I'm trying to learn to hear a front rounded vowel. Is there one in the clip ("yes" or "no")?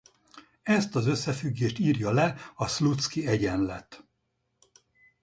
yes